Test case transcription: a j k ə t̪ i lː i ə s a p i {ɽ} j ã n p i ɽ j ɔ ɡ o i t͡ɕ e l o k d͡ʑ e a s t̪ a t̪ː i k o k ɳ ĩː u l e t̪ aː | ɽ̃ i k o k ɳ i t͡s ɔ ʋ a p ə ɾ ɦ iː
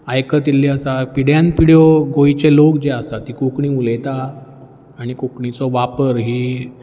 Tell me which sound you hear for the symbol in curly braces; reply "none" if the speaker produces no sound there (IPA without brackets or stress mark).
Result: ɽ